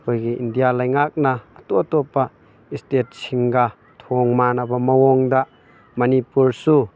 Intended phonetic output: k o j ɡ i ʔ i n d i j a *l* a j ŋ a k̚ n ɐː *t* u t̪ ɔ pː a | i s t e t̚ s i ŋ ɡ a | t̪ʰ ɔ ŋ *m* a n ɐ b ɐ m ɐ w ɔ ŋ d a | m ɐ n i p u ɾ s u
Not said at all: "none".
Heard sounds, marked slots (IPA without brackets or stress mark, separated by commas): l, t, m